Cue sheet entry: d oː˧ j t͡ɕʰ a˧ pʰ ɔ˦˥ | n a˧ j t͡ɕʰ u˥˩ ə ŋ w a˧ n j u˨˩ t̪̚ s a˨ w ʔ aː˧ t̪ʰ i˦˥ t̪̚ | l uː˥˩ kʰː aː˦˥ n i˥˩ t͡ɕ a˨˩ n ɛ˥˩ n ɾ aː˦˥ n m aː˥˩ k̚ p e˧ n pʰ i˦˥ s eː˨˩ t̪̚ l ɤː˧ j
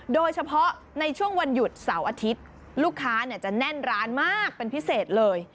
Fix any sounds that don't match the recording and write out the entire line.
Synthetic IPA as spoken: d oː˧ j t͡ɕʰ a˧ pʰ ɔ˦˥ | n a˧ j t͡ɕʰ u˥˩ ə ŋ w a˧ n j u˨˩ t̪̚ s a˩˦ w ʔ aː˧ t̪ʰ i˦˥ t̪̚ | l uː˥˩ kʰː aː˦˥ n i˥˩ t͡ɕ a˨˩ n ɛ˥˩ n ɾ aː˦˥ n m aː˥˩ k̚ p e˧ n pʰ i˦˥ s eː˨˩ t̪̚ l ɤː˧ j